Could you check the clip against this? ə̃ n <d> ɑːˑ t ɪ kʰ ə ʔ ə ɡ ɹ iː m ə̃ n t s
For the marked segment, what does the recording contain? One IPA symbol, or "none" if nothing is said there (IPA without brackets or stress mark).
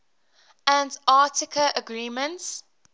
d